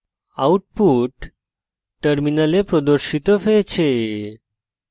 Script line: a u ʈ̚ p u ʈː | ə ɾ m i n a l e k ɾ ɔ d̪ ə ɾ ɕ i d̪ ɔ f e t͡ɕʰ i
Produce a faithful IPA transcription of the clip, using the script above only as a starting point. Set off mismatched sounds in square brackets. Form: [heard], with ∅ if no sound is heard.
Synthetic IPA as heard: a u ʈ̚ p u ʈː | ə ɾ m i n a l e [p] ɾ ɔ d̪ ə ɾ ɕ i [t̪] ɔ f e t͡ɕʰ [e]